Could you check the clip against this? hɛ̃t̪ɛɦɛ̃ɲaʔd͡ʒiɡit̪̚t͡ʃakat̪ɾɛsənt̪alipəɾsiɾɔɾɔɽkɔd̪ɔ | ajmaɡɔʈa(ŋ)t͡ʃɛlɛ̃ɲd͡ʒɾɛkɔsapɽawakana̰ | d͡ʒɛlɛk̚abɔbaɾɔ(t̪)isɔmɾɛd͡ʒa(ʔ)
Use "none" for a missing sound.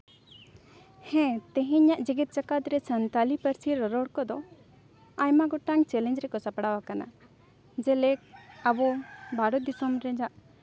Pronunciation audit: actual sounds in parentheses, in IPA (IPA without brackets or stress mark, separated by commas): ŋ, d̪, ʔ